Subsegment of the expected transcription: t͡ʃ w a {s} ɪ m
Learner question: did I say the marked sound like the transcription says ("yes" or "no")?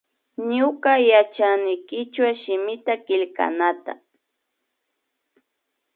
no